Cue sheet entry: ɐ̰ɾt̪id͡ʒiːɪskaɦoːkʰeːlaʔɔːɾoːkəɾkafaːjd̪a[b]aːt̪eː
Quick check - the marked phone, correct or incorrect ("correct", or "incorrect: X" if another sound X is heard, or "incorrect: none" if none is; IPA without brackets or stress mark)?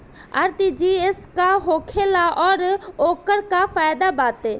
correct